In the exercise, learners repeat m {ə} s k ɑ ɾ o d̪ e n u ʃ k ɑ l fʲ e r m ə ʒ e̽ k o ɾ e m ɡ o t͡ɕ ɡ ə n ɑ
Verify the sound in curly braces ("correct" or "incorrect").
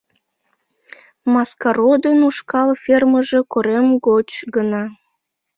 incorrect